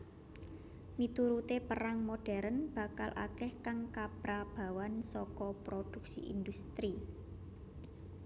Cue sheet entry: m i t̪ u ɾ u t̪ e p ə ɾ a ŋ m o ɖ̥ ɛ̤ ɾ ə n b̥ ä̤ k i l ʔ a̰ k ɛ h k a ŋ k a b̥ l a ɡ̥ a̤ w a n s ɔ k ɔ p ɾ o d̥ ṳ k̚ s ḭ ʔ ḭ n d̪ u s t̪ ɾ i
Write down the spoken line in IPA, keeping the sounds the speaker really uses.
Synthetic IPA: m i t̪ u ɾ u t̪ e p ə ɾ a ŋ m o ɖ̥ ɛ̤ ɾ ə n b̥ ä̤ k a l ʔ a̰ k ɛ h k a ŋ k a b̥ ɾ a b̥ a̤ w a n s ɔ k ɔ p ɾ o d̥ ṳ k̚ s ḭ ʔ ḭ n d̪ u s t̪ ɾ i